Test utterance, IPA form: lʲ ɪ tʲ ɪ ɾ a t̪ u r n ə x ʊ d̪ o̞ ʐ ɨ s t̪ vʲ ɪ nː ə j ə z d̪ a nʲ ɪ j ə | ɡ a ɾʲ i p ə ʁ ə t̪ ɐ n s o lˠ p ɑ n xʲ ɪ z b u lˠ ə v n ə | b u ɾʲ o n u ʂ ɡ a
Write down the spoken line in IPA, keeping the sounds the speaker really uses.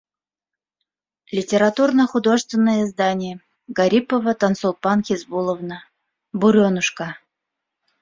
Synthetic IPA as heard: lʲ ɪ tʲ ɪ ɾ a t̪ u r n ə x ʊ d̪ o̞ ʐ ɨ s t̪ vʲ ɪ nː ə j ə z d̪ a nʲ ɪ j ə | ɡ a ɾʲ i p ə v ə t̪ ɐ n s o lˠ p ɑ n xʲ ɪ z b u lˠ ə v n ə | b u ɾʲ o n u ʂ k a